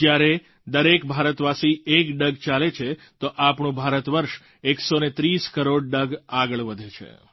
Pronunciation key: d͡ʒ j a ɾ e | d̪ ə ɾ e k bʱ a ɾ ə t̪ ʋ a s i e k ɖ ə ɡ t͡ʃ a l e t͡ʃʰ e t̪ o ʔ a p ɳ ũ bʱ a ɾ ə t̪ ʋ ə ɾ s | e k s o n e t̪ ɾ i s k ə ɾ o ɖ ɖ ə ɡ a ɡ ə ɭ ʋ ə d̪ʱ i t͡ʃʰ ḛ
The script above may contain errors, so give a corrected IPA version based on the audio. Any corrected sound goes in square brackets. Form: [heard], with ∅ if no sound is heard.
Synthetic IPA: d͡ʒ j a ɾ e | d̪ ə ɾ e k bʱ a ɾ ə t̪ ʋ a s i e k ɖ ə ɡ t͡ʃ a l e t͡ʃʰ e t̪ o ʔ a p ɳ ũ bʱ a ɾ ə t̪ ʋ ə ɾ [ʃ] | e k s o n e t̪ ɾ i s k ə ɾ o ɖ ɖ ə ɡ a ɡ ə ɭ ʋ ə d̪ʱ [e] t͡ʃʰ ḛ